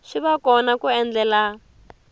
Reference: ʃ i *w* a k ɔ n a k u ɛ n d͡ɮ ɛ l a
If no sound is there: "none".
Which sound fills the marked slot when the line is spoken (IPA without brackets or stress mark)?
β